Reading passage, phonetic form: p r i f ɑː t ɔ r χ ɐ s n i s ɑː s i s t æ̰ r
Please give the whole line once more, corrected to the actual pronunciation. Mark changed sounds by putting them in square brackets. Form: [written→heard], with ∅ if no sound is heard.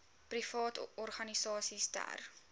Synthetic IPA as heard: p r i f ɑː t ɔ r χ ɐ [s→∅] n i s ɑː s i s t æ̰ r